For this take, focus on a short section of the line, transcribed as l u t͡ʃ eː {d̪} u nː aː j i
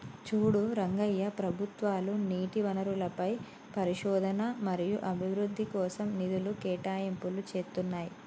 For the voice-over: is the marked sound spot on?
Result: no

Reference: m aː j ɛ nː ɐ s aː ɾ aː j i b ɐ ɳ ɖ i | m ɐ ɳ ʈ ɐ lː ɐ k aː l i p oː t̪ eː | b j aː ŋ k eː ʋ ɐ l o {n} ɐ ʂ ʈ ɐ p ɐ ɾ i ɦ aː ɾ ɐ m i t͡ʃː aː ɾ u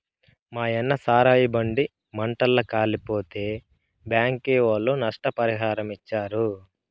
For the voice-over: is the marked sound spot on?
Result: yes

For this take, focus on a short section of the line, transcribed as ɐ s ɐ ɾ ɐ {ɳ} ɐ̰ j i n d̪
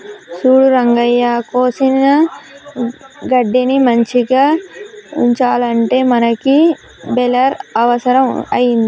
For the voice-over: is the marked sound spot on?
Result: no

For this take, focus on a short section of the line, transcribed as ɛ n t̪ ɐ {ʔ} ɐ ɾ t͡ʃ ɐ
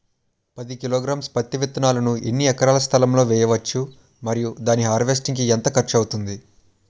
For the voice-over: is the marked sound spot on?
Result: no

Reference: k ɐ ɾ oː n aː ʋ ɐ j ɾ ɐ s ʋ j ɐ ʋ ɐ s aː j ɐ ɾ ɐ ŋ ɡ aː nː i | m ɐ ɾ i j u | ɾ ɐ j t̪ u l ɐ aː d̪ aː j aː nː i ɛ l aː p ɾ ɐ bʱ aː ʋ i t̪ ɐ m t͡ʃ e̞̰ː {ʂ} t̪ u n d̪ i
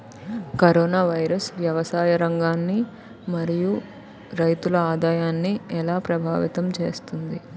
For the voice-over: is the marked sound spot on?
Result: no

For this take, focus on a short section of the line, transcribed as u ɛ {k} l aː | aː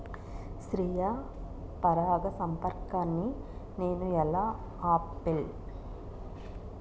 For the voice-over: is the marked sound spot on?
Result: no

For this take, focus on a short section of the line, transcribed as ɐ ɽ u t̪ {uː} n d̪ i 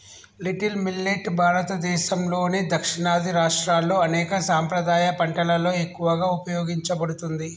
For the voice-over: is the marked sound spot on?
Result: no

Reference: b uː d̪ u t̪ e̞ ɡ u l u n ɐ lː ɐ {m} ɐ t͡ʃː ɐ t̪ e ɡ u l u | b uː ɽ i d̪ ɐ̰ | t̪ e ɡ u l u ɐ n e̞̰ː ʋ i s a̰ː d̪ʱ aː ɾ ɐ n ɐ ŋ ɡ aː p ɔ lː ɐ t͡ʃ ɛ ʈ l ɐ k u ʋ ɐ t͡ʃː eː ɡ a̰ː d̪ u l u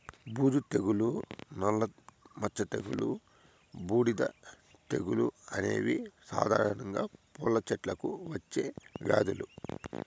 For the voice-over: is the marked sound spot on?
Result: yes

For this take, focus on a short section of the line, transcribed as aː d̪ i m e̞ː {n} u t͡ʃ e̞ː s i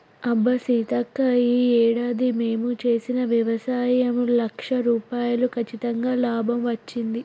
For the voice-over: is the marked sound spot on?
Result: no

